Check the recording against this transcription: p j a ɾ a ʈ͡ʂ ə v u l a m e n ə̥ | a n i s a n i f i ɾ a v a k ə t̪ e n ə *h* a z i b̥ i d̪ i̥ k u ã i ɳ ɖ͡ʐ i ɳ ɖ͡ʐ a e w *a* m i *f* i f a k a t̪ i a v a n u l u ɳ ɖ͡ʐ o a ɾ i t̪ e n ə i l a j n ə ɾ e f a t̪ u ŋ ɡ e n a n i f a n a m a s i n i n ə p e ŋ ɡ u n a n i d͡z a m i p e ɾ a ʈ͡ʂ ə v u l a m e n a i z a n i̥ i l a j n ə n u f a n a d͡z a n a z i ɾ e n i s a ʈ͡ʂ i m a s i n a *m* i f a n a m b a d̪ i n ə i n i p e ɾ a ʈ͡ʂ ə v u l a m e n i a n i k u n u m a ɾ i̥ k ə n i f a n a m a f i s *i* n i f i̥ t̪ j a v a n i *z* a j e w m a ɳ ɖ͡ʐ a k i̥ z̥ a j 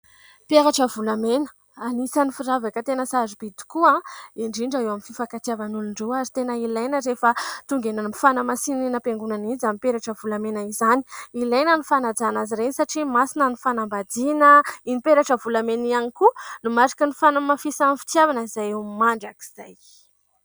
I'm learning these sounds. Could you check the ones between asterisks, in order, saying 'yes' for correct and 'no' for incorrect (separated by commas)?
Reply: no, yes, yes, no, no, yes